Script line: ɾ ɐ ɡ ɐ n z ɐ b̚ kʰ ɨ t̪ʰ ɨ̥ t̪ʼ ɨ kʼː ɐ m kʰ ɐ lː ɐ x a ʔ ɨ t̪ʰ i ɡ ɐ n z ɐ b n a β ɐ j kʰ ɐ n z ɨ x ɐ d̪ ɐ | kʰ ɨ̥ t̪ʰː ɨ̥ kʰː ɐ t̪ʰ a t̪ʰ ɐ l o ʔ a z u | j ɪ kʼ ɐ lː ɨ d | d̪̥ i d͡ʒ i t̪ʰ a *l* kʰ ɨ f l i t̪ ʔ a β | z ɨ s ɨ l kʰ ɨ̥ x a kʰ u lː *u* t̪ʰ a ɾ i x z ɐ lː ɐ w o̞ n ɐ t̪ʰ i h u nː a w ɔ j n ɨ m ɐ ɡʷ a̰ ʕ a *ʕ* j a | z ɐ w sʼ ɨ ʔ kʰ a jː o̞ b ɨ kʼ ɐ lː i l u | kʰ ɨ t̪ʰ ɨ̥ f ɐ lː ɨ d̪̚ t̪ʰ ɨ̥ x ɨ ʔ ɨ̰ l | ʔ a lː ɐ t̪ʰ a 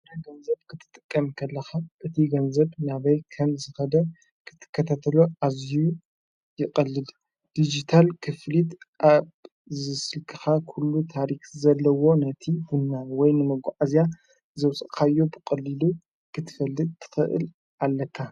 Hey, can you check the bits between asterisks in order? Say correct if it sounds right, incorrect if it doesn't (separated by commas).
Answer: correct, correct, incorrect